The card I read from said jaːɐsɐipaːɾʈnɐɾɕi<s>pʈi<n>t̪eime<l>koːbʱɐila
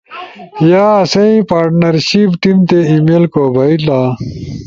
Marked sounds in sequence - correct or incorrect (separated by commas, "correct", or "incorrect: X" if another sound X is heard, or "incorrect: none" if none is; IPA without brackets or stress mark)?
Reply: incorrect: none, incorrect: m, correct